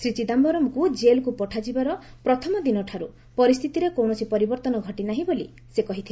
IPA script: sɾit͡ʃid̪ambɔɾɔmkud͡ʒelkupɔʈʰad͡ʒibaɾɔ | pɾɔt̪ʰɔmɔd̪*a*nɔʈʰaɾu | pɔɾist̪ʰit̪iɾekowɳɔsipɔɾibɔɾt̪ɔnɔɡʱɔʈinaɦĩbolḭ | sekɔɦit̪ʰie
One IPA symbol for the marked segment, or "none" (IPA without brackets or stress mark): i